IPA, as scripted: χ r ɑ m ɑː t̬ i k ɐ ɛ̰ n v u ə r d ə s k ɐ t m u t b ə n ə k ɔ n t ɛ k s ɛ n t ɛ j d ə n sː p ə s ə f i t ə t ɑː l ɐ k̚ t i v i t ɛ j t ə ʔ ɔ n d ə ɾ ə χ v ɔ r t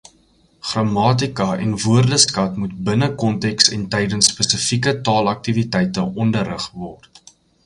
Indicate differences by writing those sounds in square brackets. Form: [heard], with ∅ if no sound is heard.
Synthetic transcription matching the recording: χ r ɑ m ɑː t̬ i k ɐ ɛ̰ n v u ə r d ə s k ɐ t m u t b ə n ə k ɔ n t ɛ k s ɛ n t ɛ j d ə n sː p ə s ə f i [k] ə t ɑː l ɐ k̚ t i v i t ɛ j t ə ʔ ɔ n d ə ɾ ə χ v ɔ r t